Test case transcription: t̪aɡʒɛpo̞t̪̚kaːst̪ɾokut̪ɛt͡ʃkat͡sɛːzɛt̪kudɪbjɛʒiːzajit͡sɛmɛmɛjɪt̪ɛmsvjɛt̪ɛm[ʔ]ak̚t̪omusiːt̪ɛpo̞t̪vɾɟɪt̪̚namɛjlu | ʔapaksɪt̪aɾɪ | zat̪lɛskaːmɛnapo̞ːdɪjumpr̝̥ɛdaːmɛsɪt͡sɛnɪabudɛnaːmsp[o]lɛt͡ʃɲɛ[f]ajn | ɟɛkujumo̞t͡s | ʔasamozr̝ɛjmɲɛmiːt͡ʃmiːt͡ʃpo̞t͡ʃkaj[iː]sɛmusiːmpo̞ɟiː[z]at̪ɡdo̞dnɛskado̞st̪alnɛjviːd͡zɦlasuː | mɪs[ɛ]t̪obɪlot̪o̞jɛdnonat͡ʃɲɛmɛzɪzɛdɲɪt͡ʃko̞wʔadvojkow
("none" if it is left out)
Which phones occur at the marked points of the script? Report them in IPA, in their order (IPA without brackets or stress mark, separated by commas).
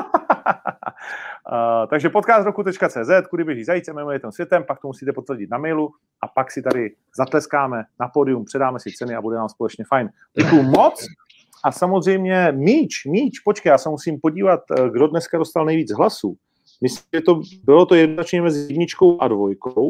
p, o, f, aː, v, ɛ